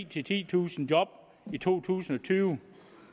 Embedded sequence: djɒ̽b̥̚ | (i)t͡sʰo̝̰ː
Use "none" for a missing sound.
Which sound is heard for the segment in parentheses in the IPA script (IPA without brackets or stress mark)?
i